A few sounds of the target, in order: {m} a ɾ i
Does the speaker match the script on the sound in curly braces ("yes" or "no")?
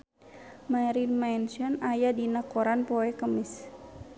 yes